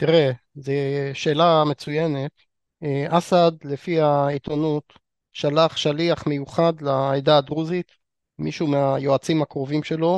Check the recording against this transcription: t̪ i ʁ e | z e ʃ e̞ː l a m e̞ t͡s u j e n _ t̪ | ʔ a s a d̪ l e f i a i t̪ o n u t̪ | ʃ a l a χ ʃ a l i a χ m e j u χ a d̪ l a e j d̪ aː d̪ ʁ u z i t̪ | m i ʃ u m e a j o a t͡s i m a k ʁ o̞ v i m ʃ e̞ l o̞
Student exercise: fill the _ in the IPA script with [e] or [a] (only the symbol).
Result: e